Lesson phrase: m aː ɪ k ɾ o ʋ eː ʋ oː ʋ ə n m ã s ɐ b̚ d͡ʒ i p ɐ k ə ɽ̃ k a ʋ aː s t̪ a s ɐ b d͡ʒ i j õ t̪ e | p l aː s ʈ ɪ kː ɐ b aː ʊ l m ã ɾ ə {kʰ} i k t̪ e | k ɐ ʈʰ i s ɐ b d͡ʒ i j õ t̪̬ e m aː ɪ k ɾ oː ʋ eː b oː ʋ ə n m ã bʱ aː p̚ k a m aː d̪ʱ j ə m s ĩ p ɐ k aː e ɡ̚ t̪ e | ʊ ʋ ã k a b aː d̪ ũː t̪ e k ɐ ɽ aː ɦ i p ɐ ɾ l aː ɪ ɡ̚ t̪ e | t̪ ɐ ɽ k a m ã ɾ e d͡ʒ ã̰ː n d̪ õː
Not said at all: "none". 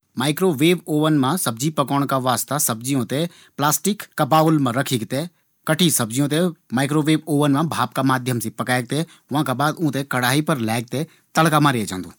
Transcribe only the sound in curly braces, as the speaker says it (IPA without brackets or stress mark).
kʰ